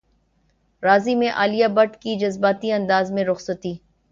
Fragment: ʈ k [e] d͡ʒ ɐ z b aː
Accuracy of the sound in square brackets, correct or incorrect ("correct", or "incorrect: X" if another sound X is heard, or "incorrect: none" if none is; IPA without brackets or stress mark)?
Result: incorrect: i